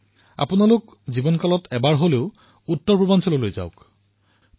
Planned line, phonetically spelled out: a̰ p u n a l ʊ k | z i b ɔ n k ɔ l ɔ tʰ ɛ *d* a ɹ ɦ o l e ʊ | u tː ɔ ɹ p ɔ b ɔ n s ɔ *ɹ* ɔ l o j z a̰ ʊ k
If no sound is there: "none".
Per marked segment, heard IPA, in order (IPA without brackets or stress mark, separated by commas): b, l